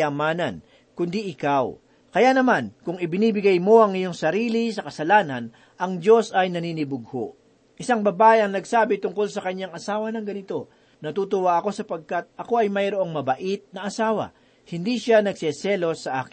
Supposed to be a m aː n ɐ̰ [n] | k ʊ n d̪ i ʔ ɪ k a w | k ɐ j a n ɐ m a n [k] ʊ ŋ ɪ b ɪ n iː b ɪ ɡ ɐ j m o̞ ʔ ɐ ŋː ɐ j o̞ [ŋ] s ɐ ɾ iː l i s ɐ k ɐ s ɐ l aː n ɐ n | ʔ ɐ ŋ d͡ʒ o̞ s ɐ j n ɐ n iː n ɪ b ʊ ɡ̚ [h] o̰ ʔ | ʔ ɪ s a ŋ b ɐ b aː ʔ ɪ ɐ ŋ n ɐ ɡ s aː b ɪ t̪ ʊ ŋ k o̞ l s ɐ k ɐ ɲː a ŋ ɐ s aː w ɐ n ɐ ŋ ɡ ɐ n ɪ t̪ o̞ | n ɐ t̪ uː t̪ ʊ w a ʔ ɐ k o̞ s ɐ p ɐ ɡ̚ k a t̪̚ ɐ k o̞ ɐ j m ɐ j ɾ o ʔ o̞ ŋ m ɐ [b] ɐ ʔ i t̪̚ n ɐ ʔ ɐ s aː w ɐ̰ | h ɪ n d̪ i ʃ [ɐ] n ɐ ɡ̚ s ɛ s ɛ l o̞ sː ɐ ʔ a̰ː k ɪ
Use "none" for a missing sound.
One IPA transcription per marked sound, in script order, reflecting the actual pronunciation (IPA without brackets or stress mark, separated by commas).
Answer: n, k, ŋ, h, b, a